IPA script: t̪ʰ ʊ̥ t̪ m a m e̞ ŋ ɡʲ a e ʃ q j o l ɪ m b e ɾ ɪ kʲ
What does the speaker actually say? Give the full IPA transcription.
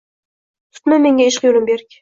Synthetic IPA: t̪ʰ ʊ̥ t̪ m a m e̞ ŋ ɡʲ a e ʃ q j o l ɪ m b e ɾ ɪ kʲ